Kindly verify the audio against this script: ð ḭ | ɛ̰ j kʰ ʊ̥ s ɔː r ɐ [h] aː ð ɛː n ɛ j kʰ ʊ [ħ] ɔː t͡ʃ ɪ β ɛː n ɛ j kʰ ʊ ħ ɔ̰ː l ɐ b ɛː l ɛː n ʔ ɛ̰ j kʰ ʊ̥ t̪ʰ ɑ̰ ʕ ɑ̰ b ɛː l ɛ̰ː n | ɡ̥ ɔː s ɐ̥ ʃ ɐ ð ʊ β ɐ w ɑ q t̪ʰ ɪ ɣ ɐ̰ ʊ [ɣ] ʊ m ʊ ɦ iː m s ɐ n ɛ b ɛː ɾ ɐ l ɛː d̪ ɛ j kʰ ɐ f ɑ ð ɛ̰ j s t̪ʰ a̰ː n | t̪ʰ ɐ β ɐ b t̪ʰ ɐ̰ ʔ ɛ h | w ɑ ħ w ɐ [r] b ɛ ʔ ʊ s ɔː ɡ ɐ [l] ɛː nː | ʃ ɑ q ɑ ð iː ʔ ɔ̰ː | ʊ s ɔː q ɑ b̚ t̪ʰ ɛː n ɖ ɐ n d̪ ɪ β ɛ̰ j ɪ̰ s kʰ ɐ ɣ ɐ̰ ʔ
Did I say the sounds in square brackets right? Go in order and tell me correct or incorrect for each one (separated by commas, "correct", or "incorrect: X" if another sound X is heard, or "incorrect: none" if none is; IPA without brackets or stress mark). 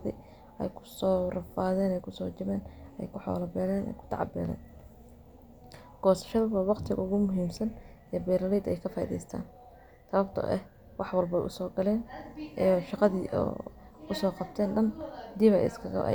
incorrect: f, incorrect: s, correct, incorrect: l, correct